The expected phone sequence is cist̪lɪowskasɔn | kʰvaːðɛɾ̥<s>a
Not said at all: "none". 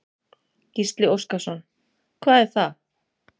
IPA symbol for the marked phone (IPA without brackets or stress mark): θ